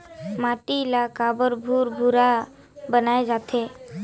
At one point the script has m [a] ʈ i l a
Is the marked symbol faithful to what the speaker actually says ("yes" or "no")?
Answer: yes